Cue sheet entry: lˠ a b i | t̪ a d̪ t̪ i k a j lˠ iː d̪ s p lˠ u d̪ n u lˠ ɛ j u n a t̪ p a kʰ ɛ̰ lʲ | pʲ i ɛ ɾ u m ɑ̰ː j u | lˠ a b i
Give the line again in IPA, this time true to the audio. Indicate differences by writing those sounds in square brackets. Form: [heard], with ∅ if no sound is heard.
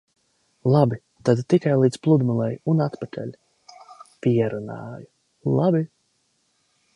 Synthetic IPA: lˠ a b i | t̪ a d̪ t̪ i k a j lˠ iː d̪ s p lˠ u d̪ [m] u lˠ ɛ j u n a t̪ p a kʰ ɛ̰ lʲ | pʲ i ɛ ɾ u [n] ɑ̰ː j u | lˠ a b i